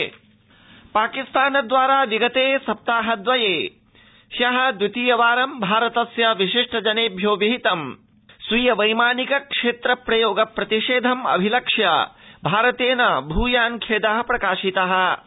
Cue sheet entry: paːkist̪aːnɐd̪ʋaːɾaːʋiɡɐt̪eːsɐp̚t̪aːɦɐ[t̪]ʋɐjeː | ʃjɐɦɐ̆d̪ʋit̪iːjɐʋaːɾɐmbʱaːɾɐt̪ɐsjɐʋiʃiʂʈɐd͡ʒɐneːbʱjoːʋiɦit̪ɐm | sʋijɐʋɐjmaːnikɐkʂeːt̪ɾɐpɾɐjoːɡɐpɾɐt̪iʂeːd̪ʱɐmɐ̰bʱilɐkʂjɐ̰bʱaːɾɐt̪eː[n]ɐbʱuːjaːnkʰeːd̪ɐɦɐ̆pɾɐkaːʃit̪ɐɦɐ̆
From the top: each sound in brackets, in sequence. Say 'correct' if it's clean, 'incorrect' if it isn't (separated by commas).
incorrect, correct